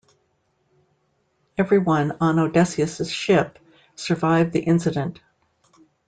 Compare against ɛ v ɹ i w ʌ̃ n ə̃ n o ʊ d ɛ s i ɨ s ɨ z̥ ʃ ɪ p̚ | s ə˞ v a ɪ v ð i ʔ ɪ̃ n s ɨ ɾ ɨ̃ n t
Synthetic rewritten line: ɛ v ɹ i w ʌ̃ n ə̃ n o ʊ d ɛ s i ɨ s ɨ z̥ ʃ ɪ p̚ | s ə˞ v a ɪ v ð i ʔ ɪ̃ n s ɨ ɾ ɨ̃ n t